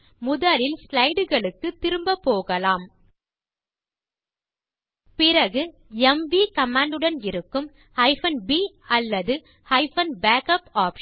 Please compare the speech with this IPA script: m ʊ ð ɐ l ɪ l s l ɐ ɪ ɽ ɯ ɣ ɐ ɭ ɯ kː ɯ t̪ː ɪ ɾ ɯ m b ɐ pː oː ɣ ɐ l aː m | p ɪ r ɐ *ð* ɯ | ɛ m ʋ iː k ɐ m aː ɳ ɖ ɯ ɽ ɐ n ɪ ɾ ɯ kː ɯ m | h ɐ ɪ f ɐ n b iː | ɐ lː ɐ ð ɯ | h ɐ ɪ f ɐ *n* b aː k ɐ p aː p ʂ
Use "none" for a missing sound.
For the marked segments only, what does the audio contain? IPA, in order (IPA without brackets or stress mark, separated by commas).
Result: ɣ, n